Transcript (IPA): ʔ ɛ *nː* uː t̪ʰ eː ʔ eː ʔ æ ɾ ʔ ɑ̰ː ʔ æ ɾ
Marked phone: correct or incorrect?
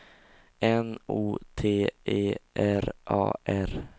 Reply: incorrect